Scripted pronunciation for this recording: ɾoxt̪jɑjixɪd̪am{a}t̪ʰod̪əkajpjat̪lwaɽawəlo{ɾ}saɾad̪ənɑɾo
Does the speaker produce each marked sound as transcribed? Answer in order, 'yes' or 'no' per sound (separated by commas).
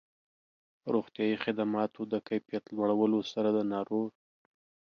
no, no